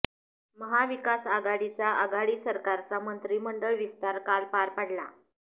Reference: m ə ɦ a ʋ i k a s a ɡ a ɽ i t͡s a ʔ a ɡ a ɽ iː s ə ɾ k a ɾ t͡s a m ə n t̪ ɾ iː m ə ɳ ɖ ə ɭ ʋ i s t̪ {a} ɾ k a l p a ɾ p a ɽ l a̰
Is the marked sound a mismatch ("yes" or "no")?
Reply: no